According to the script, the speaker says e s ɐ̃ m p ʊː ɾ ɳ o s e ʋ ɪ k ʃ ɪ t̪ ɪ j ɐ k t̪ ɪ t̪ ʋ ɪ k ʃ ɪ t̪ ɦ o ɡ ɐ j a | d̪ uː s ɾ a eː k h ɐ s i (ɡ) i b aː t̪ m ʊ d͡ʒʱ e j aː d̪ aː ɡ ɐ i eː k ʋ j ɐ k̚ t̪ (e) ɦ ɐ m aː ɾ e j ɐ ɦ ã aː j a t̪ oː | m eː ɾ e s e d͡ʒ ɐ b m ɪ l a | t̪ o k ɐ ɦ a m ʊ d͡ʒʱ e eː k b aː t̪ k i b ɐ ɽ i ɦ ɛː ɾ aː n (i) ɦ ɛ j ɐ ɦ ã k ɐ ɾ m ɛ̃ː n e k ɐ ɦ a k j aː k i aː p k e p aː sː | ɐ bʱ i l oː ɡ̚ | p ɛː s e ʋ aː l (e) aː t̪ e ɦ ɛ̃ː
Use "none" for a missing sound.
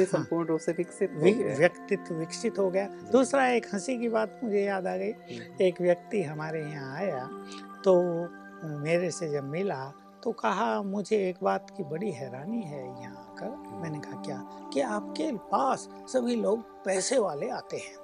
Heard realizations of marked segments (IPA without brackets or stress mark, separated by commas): k, i, i, e